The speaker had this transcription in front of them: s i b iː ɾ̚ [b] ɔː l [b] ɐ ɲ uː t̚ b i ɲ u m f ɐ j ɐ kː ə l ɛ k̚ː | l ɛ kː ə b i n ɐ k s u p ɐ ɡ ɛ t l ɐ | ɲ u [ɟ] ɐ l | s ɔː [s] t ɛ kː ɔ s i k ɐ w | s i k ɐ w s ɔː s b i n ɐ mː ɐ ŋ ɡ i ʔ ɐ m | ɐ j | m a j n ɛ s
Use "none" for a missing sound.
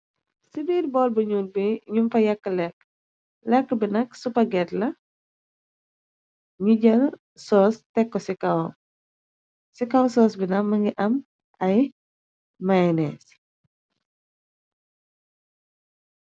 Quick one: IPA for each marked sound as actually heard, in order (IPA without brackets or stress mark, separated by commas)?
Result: b, b, ɟ, s